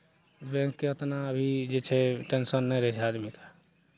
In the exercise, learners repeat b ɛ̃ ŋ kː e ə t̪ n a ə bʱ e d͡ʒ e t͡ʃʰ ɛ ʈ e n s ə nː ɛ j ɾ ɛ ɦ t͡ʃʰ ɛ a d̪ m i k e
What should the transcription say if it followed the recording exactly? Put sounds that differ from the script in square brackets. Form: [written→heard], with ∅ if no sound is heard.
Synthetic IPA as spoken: b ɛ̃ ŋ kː e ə t̪ n a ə bʱ [e→i] d͡ʒ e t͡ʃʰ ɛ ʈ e n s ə nː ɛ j ɾ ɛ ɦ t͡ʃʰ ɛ a d̪ m i k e